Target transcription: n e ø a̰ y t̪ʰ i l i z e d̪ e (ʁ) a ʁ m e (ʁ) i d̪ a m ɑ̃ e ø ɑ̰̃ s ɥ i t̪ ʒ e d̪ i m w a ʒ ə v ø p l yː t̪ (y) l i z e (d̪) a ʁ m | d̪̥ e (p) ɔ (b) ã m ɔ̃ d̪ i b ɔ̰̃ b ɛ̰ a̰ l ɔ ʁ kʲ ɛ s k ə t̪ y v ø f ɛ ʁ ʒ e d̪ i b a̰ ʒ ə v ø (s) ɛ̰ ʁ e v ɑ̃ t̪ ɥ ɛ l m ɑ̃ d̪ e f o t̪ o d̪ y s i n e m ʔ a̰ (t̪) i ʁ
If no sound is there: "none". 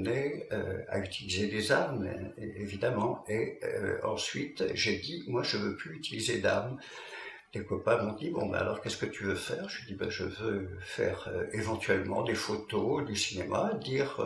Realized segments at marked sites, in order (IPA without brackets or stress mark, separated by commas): z, v, i, d̪, k, p, f, d̪